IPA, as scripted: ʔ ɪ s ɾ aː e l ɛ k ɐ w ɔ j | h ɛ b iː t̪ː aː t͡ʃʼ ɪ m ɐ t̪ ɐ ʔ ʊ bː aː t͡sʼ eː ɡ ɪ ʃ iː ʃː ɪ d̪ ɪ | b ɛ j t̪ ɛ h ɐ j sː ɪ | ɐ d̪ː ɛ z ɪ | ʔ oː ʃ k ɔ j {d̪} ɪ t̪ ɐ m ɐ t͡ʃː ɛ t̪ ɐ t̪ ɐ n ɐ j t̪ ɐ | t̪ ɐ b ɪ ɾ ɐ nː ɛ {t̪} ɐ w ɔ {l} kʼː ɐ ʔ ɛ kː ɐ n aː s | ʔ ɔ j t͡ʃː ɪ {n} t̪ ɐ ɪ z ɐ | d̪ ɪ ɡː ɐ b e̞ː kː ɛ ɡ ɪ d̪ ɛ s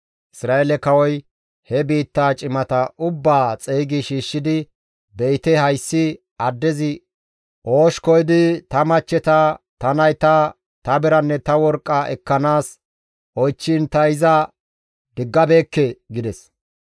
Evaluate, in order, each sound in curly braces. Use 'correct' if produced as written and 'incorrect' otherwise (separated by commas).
correct, correct, incorrect, correct